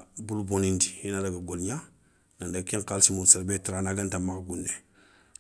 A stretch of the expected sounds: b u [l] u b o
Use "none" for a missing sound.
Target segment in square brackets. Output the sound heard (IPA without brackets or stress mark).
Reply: l